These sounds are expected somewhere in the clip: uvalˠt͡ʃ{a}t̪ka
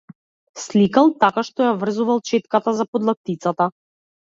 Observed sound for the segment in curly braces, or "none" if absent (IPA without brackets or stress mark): ɛ